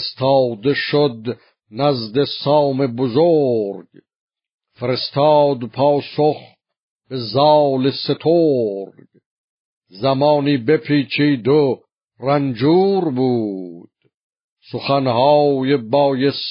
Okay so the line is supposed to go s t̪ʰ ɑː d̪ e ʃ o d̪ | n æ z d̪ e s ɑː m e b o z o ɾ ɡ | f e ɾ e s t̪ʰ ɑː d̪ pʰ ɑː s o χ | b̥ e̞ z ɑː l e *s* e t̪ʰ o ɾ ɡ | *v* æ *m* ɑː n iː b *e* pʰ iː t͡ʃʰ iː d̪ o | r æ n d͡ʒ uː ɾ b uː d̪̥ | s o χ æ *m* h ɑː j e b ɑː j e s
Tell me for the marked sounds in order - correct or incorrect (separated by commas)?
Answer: correct, incorrect, correct, correct, incorrect